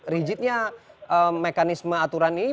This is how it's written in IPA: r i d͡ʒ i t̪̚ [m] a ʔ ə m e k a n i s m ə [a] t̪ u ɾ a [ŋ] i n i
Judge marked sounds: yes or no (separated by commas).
no, yes, no